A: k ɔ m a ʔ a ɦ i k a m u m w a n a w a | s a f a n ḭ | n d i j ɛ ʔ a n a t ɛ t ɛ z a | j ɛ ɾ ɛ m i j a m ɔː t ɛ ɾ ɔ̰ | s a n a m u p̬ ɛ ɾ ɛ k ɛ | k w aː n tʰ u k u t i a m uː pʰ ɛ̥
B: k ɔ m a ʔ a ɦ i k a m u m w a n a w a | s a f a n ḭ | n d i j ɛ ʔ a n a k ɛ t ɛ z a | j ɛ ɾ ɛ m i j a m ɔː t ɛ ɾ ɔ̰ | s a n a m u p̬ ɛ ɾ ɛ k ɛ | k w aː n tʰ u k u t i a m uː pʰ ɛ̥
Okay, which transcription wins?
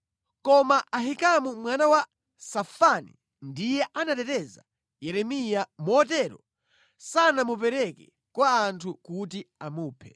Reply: A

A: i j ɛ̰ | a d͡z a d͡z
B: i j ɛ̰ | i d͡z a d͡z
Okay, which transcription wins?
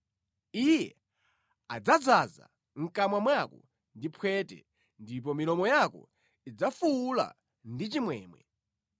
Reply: A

